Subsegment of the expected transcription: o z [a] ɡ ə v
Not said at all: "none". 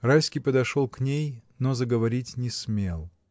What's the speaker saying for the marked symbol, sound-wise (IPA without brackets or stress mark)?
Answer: ə